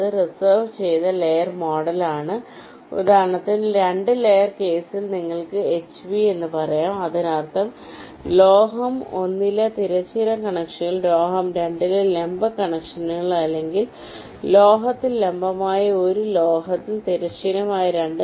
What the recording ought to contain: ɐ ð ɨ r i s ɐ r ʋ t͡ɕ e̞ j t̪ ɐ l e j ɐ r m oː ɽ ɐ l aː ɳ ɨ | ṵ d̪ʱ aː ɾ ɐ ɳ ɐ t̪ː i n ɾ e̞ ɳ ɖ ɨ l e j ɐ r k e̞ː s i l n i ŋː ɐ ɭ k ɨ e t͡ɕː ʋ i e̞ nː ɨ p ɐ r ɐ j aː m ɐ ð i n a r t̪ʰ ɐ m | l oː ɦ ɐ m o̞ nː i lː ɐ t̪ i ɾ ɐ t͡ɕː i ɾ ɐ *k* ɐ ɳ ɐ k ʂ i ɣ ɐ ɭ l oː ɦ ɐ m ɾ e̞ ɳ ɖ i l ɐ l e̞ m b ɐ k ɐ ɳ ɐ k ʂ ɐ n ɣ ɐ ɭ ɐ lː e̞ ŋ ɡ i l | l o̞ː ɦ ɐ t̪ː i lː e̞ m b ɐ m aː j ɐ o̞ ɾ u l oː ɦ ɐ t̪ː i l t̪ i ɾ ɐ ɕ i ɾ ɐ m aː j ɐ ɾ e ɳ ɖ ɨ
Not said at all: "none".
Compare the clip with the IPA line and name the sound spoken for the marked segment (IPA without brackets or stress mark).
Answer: k